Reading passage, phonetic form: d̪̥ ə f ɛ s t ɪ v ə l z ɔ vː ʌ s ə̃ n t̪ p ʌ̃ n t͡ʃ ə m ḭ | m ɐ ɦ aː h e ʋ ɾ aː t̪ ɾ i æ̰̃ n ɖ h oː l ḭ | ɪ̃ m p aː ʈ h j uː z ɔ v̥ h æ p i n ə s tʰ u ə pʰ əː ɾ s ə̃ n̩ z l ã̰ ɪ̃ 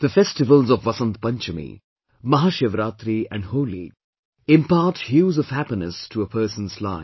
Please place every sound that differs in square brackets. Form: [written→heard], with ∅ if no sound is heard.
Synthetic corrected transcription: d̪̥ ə f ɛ s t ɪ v ə l z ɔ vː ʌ s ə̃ n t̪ p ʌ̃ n t͡ʃ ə m ḭ | m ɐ ɦ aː [h→ʃ] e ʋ ɾ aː t̪ ɾ i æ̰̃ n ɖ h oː l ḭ | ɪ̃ m p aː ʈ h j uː z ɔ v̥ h æ p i n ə s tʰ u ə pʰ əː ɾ s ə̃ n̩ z l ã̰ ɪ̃

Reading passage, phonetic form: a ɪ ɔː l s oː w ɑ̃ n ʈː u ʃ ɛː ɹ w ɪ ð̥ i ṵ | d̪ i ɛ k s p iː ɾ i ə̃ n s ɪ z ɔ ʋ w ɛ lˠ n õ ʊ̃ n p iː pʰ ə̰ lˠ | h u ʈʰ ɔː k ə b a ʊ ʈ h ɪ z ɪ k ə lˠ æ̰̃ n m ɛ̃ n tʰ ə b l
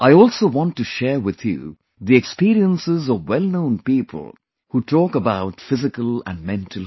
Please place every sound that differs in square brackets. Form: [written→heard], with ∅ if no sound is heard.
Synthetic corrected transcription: a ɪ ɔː l s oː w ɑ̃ n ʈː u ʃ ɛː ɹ w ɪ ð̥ [i→j] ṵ | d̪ i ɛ k s p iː ɾ i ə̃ n s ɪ z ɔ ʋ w ɛ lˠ n õ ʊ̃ n p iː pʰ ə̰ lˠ | h u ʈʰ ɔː k ə b a ʊ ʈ [h→f] ɪ z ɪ k ə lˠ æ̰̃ n m ɛ̃ n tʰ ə [b→∅] l

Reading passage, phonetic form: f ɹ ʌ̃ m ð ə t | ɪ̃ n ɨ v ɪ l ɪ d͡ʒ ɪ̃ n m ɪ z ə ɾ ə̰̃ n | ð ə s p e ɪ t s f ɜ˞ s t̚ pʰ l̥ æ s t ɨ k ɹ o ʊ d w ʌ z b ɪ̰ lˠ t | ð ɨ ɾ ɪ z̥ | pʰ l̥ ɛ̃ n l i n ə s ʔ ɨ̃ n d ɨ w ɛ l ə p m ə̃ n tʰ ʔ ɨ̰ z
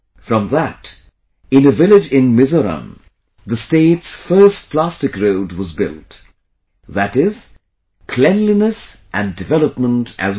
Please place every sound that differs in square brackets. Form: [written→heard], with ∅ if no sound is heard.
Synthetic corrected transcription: f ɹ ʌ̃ m ð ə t | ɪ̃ n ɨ v ɪ l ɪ d͡ʒ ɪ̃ n m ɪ z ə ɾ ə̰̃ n | ð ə s [p→t] e ɪ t s f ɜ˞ s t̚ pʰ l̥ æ s t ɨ k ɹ o ʊ d w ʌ z b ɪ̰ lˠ t | ð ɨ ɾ ɪ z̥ | [pʰ→kʰ] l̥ ɛ̃ n l i n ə s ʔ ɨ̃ n d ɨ [w→v] ɛ l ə p m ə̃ n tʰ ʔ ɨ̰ z

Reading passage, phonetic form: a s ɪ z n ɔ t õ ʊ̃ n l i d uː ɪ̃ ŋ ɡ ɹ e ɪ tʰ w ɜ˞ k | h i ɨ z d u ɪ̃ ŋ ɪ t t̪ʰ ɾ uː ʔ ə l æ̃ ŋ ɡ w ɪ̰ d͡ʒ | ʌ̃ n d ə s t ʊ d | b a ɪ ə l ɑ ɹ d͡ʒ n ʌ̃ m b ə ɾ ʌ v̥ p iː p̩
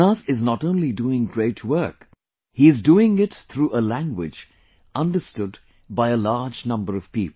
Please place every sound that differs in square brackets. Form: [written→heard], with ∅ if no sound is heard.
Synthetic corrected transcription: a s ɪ z n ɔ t õ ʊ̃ n l i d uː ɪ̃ ŋ ɡ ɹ e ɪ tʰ w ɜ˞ k | h i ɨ z d u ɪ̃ ŋ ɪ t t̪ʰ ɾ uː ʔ ə l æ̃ ŋ ɡ w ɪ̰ d͡ʒ | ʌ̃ n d ə s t ʊ d | b a ɪ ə l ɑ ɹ d͡ʒ n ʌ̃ m b ə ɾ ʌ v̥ p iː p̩

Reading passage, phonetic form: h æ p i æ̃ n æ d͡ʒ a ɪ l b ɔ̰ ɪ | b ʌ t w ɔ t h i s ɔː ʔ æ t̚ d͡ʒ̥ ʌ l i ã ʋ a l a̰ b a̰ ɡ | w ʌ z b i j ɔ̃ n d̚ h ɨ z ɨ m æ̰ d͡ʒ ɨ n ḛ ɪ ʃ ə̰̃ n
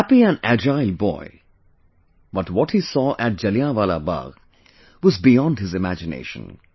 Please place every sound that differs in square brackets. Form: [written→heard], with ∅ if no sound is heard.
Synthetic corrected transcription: h æ p i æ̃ n æ d͡ʒ a ɪ l b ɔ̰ ɪ | b ʌ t w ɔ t h i s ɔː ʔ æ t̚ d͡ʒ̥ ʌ l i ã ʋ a l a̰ b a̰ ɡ | w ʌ z b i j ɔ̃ n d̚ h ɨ z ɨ m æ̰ d͡ʒ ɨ n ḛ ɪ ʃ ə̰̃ n

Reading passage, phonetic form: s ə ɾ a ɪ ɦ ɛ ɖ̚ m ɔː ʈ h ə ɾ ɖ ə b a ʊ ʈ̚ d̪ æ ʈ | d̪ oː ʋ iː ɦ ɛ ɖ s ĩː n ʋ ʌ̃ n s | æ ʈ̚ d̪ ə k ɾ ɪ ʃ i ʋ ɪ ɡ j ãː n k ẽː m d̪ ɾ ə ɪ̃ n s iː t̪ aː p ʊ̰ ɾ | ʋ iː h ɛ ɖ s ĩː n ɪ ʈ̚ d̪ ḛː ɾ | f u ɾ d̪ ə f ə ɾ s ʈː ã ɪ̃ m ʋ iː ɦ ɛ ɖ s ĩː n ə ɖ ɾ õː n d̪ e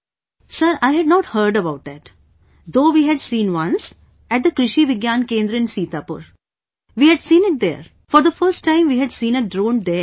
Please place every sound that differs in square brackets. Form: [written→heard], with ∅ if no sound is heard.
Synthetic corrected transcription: s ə ɾ a ɪ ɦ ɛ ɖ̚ [m→n] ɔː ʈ h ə ɾ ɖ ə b a ʊ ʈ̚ d̪ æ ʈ | d̪ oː ʋ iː ɦ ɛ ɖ s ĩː n ʋ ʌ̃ n s | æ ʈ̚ d̪ ə k ɾ ɪ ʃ i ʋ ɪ ɡ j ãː n k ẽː [m→n] d̪ ɾ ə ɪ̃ n s iː t̪ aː p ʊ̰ ɾ | ʋ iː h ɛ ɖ s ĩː n ɪ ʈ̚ d̪ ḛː ɾ | f [u→ɔ] ɾ d̪ ə f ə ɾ s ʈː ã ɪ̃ m ʋ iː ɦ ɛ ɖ s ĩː n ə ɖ ɾ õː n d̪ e

